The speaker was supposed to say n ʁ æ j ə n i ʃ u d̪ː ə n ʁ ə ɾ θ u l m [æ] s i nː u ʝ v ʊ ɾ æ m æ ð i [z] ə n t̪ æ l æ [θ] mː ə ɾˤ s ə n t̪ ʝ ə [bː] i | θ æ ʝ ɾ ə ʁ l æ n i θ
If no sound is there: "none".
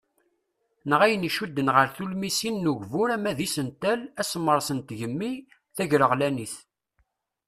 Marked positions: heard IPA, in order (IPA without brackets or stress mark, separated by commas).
i, s, s, mː